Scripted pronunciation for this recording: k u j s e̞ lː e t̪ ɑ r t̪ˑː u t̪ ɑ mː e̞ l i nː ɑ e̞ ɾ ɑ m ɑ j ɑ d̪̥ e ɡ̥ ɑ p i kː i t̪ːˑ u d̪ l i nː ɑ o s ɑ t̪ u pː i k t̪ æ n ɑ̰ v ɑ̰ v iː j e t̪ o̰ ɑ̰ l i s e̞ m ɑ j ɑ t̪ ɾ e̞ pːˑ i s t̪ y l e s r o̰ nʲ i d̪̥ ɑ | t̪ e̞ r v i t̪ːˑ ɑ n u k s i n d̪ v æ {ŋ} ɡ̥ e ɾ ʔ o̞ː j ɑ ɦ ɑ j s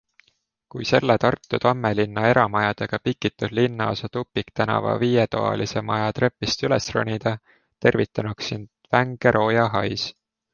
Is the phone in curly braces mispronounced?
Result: no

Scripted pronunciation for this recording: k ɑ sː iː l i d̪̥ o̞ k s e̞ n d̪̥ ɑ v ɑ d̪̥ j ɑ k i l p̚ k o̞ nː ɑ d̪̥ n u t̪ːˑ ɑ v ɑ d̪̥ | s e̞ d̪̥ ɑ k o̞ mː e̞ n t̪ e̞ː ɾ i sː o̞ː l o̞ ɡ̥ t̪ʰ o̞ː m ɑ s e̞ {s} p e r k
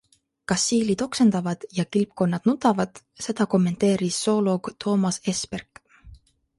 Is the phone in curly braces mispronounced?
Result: no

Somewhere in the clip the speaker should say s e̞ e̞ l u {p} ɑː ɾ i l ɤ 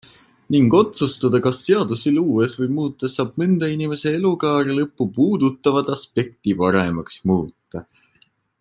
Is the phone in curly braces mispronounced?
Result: yes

